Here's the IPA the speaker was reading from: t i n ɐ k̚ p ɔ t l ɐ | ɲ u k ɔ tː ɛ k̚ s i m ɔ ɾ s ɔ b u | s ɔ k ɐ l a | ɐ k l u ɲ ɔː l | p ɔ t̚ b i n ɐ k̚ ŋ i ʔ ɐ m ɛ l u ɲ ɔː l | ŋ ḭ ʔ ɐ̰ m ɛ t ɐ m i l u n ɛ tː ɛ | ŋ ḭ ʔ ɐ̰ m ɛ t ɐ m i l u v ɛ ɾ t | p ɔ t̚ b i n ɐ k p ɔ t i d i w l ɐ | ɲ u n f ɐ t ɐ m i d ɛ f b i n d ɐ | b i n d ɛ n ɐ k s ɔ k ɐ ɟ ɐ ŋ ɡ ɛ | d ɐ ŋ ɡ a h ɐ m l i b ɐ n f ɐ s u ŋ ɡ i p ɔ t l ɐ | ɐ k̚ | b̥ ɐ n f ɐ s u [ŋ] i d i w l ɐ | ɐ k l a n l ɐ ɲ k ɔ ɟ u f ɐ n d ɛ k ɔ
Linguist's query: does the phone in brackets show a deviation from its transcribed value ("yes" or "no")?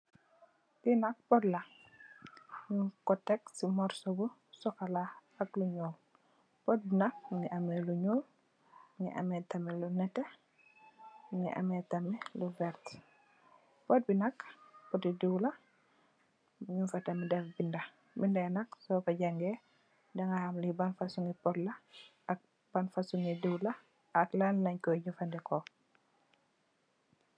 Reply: no